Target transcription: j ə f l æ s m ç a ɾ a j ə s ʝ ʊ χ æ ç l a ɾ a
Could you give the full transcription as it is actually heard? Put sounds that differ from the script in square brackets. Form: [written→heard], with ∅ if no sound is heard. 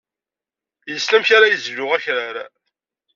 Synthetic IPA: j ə [f→s] l æ [s→∅] m ç a ɾ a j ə [s→z] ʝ ʊ [χ→ʁ] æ ç [l→ɾ] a ɾ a